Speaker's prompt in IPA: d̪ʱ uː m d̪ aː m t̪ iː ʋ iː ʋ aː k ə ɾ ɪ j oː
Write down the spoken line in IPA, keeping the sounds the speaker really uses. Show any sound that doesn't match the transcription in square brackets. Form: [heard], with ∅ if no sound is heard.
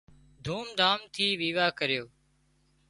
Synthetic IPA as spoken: d̪ʱ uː m d̪ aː m [t̪ʰ] iː ʋ iː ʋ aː k ə ɾ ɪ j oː